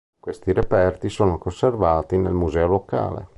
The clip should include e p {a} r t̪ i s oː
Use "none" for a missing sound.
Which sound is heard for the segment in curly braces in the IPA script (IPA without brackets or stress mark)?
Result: ɛ